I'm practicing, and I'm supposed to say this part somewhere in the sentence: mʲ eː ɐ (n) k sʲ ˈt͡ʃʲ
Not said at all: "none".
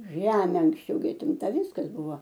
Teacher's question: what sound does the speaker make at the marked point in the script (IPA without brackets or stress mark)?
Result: ŋ